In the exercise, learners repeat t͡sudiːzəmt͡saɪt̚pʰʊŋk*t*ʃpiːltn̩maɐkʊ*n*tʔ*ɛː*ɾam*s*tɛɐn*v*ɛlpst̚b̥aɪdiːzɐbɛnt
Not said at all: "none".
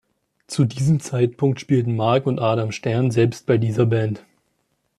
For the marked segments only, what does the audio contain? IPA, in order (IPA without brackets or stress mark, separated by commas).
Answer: t, n, aː, ʃ, z